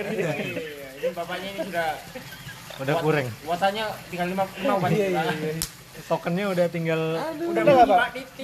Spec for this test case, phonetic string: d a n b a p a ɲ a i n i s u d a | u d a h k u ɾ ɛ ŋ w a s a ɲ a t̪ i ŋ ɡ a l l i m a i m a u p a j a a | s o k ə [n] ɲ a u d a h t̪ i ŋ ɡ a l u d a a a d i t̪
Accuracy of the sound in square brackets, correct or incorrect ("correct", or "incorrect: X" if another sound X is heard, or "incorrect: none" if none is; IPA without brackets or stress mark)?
correct